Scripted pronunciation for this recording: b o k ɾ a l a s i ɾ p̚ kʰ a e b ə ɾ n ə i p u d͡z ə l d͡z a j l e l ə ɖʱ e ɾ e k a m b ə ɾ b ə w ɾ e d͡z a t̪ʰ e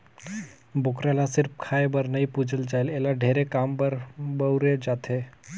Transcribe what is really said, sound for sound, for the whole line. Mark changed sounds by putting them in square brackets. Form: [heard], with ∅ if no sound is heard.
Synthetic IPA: b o k ɾ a l a s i ɾ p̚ kʰ a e b ə ɾ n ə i p u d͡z ə l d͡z a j l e l [a] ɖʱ e ɾ e k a m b ə ɾ b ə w ɾ e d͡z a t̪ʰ e